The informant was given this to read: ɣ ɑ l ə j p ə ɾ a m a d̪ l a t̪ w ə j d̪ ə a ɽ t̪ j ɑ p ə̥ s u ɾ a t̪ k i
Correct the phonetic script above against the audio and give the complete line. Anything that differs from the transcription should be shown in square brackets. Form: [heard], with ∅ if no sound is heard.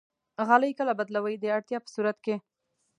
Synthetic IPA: ɣ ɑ l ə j [k] ə [l] a [b] a d̪ l a [∅] w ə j d̪ ə a ɽ t̪ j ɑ p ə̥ s u ɾ a t̪ k [e]